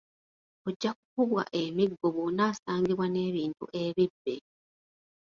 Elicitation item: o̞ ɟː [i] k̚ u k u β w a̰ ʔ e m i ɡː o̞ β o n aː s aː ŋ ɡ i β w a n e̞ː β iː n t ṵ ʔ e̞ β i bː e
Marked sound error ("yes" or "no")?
yes